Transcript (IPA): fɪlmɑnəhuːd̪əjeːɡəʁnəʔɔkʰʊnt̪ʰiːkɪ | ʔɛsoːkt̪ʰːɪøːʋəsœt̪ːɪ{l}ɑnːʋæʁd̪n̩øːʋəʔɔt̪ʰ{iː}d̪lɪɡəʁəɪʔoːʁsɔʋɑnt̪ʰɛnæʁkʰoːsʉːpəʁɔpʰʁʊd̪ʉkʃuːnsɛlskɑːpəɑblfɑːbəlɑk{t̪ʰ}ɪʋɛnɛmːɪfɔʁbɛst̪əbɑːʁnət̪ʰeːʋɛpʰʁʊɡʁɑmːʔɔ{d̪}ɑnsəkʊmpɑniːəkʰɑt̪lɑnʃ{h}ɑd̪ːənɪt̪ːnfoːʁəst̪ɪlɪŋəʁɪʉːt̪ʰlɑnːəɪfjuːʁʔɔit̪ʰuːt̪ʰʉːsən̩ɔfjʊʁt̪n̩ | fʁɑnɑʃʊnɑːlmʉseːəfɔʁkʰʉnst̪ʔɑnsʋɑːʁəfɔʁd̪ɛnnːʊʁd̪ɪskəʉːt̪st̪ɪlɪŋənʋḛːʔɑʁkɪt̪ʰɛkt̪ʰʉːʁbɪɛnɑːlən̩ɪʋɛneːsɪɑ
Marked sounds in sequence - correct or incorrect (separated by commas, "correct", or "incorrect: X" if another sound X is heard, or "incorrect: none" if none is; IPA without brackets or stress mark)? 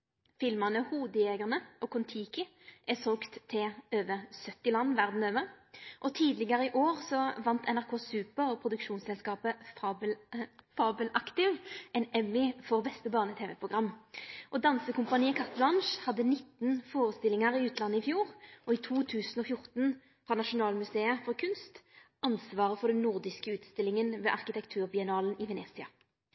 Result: correct, correct, incorrect: t̪, correct, correct